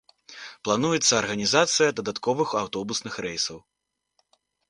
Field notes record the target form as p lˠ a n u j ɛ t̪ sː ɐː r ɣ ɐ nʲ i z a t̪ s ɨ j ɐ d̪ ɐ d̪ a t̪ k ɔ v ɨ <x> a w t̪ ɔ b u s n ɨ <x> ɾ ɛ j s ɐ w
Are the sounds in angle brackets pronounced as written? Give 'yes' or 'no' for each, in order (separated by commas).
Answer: yes, yes